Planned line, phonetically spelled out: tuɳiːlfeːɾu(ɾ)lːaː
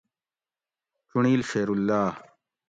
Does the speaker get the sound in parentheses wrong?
yes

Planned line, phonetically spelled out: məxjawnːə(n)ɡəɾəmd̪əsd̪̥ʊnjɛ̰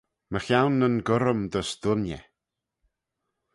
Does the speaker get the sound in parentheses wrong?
no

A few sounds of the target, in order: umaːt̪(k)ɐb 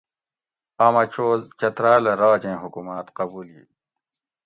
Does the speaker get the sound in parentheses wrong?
yes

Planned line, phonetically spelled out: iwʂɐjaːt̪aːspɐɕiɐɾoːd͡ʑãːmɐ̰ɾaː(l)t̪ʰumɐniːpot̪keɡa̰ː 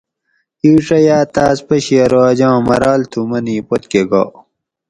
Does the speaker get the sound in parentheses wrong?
no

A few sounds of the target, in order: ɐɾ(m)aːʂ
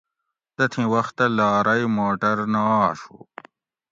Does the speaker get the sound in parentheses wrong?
yes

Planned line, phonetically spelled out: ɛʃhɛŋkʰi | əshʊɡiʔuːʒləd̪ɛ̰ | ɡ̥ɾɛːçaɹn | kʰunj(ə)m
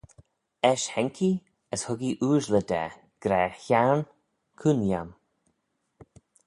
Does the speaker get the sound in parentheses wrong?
yes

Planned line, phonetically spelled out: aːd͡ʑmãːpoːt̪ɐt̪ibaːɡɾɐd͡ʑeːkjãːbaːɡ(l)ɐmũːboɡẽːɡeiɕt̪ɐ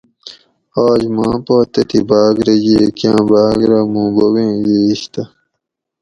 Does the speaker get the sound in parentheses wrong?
yes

